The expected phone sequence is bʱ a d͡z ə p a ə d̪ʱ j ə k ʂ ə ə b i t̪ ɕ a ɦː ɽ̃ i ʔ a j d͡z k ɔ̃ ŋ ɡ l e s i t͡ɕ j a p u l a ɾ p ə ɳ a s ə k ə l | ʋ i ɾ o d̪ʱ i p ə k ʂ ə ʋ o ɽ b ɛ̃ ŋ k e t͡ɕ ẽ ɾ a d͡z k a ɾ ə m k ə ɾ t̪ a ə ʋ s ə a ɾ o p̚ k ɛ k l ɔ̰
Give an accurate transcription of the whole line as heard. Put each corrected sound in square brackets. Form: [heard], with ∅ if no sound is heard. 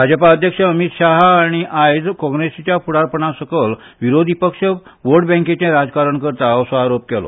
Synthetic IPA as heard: bʱ a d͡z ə p a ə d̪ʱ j ə k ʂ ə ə [m] i t̪ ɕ a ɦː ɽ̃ i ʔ a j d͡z k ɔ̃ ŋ ɡ [ɾ] e s i t͡ɕ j a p u [ɽ] a ɾ p ə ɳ a s ə k ə l | ʋ i ɾ o d̪ʱ i p ə k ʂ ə ʋ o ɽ b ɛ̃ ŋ k e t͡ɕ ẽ ɾ a d͡z k a ɾ ə [ɳ] k ə ɾ t̪ a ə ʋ s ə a ɾ o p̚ k ɛ [∅] l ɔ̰